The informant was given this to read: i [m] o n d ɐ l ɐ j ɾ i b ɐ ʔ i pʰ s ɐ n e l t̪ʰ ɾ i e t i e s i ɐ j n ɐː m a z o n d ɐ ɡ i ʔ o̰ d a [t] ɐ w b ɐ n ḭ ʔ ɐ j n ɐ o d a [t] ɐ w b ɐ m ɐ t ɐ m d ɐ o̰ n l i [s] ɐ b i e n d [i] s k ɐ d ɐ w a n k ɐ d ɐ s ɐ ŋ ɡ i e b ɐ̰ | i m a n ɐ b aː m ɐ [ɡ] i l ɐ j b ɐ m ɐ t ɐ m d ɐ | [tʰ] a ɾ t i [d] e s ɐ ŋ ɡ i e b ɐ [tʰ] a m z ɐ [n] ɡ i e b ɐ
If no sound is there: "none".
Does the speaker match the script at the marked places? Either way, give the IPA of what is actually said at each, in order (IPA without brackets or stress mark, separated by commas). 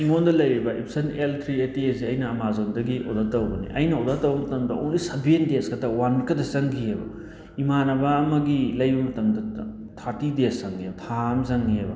ŋ, t, t, s, e, ɡ, tʰ, d, tʰ, ŋ